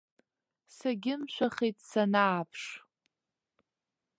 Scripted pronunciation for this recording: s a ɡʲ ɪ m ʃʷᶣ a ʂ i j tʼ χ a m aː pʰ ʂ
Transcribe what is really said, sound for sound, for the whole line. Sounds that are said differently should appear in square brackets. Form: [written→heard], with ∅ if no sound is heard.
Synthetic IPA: s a ɡʲ ɪ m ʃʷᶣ a [ʂ→χ] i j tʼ [χ→s] a [m→n] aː pʰ ʂ